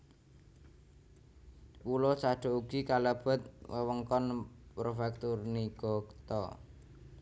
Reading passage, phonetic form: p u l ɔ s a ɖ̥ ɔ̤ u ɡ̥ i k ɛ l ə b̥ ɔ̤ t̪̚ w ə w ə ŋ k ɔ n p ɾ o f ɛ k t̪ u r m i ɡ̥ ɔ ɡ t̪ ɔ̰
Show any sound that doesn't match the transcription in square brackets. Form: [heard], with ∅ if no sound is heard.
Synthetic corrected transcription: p u l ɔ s a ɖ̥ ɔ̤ u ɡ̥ i k [a] l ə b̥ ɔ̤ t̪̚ w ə w ə ŋ k ɔ n p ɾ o f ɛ k t̪ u r [n] i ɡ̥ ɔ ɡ t̪ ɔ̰